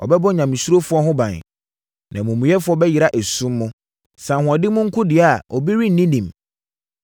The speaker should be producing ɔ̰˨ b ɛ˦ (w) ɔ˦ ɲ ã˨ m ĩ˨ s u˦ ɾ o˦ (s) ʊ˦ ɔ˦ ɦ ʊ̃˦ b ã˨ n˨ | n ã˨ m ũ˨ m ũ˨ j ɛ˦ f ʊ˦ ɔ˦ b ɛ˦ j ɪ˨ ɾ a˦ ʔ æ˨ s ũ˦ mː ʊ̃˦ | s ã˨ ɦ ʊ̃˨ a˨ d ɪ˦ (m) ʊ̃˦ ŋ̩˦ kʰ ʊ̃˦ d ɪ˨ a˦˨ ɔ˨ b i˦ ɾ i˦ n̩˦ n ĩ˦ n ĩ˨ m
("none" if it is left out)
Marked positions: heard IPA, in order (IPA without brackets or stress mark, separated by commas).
b, f, m